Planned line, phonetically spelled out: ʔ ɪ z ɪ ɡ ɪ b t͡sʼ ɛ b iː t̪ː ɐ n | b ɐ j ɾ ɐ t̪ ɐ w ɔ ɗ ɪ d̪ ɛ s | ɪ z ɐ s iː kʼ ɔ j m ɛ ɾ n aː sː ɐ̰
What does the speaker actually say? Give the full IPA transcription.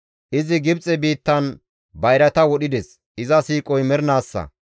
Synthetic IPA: ʔ ɪ z ɪ ɡ ɪ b t͡sʼ ɛ b iː t̪ː ɐ n | b ɐ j ɾ ɐ t̪ ɐ w ɔ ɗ ɪ d̪ ɛ s | ɪ z ɐ s iː kʼ ɔ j m ɛ ɾ n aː sː ɐ̰